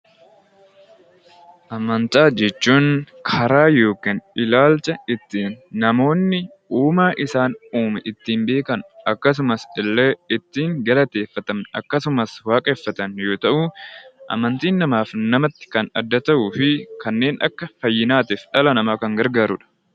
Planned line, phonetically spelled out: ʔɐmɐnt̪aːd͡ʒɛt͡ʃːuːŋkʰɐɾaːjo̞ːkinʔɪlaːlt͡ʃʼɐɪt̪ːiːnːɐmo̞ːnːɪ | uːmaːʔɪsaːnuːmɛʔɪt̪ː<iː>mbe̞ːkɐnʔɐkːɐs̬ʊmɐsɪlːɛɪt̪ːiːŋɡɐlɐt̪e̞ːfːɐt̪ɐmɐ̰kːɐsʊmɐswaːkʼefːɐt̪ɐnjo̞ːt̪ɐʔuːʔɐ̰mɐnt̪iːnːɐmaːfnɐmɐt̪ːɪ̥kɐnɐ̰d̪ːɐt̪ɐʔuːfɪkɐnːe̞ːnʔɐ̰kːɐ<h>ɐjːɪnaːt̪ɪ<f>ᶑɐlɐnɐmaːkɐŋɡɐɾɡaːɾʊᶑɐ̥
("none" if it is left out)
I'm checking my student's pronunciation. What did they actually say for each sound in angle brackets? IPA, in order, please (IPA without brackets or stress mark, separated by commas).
iː, f, f